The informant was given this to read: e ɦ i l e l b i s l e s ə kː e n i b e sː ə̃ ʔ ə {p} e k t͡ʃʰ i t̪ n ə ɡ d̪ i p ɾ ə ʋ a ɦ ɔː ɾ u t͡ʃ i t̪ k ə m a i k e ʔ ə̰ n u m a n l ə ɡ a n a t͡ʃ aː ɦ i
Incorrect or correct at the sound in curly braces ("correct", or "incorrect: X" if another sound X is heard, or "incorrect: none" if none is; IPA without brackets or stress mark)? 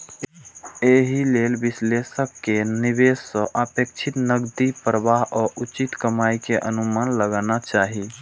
correct